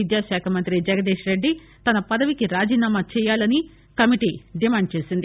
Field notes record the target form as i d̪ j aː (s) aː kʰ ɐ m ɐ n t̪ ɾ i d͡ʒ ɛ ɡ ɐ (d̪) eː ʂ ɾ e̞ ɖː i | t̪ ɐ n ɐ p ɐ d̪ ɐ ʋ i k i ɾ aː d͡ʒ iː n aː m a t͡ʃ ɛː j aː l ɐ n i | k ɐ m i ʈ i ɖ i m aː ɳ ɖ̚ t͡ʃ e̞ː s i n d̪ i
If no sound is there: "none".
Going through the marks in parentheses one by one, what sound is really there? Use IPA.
ʃ, d̪

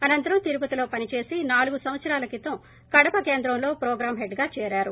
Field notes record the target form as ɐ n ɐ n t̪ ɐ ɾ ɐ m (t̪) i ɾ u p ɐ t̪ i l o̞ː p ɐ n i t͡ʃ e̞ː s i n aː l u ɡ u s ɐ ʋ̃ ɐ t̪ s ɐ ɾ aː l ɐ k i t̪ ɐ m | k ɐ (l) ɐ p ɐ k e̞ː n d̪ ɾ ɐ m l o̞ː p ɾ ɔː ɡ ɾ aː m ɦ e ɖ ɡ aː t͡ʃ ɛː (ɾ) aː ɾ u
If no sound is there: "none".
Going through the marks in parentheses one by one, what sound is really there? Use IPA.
t̪, ɽ, ɾ

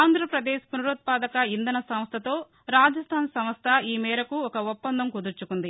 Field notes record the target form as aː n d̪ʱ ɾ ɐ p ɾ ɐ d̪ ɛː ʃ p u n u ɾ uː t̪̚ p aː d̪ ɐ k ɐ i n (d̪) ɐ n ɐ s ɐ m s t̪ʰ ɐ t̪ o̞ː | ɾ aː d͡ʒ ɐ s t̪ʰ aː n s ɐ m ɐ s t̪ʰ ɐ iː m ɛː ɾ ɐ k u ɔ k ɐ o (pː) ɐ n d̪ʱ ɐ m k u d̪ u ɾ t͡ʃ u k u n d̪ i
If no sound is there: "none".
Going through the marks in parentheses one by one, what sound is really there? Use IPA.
d̪, pː

